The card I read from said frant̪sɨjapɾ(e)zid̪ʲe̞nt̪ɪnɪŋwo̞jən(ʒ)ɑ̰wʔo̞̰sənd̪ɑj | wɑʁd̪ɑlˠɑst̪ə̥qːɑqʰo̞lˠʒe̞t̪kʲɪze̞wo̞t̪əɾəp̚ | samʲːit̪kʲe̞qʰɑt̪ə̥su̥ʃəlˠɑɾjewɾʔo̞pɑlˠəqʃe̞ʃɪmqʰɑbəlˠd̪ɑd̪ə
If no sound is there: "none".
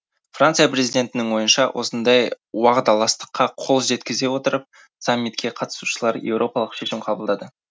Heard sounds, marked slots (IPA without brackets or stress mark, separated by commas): e, ʃ